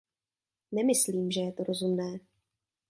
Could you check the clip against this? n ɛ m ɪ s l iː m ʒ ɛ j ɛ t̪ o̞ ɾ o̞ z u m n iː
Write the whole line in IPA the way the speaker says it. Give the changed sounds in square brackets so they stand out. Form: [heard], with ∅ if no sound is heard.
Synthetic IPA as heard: n ɛ m ɪ s l iː m ʒ ɛ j ɛ t̪ o̞ ɾ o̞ z u m n [ɛː]